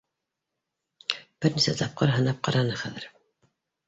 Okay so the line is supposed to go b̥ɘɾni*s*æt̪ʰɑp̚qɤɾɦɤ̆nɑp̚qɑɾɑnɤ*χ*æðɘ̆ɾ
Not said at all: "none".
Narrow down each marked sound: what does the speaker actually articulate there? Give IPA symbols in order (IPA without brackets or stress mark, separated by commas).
s, χ